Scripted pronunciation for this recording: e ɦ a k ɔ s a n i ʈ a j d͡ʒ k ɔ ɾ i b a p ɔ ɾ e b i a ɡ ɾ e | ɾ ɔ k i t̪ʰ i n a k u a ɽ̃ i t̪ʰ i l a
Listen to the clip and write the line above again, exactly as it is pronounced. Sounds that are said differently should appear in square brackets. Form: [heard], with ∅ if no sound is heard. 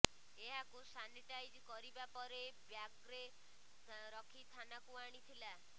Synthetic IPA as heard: e ɦ a k [u] s a n i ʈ a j d͡ʒ k ɔ ɾ i b a p ɔ ɾ e b [j] a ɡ ɾ e | ɾ ɔ [kʰ] i t̪ʰ [a] n a k u a ɽ̃ i t̪ʰ i l a